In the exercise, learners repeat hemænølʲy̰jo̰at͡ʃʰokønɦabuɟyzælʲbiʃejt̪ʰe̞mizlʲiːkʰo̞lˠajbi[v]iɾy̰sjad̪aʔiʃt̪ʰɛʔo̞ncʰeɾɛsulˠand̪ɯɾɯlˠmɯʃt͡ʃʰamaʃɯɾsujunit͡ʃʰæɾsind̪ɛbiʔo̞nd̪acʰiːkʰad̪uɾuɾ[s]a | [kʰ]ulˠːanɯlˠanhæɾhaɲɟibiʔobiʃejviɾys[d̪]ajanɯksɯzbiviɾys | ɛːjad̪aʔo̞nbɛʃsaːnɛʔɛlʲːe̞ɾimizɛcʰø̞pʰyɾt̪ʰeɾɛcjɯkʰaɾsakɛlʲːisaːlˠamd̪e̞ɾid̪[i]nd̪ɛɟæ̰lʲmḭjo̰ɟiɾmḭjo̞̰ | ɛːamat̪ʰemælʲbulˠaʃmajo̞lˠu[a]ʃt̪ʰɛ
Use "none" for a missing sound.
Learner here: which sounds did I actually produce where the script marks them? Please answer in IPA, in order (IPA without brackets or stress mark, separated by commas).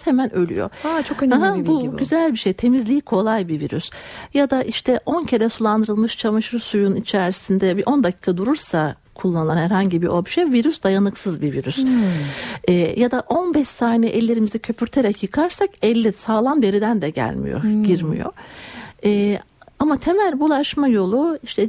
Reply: v, s, kʰ, d̪, æ, i